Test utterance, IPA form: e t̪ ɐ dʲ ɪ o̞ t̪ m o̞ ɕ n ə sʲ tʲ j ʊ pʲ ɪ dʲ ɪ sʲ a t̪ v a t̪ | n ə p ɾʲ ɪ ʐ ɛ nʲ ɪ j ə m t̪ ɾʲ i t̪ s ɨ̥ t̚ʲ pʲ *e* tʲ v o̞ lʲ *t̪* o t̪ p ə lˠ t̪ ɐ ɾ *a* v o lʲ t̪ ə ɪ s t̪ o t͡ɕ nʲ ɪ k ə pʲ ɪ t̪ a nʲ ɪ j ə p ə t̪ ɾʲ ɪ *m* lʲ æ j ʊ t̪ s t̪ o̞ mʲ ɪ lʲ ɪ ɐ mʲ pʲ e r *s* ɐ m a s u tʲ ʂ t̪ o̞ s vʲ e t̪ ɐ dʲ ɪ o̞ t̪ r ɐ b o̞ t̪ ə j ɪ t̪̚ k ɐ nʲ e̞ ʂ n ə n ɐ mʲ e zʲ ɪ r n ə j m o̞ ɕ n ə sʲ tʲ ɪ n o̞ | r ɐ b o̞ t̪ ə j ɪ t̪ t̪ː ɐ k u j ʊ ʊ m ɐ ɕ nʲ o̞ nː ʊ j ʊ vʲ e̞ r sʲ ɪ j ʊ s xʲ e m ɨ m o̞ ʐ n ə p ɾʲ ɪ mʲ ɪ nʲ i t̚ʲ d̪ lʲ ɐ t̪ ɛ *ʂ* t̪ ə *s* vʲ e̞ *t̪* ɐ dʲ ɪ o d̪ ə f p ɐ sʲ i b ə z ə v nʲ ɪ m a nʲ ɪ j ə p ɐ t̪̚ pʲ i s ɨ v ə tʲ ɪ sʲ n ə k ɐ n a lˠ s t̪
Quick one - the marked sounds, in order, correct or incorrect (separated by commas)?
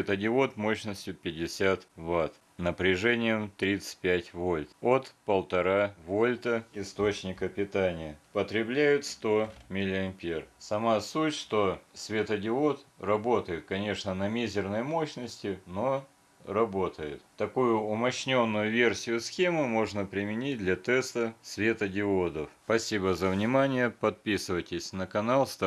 incorrect, correct, correct, incorrect, correct, incorrect, correct, correct